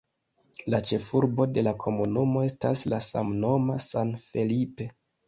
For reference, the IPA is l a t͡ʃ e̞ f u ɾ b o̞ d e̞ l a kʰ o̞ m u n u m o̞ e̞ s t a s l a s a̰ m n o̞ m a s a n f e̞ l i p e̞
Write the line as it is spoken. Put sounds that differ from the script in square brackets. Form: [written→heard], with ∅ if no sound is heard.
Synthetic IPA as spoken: l a t͡ʃ e̞ f u ɾ b o̞ d e̞ l a kʰ o̞ m u n u m o̞ e̞ s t a s l a s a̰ m n o̞ m a s a n f e̞ l i p e̞